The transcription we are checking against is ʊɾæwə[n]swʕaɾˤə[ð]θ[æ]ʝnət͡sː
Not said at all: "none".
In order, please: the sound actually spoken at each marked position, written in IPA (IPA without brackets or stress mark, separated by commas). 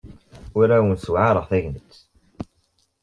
n, ʁ, æ